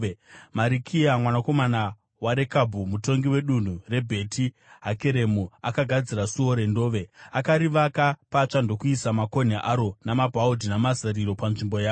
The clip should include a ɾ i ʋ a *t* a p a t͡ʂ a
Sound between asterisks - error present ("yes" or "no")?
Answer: yes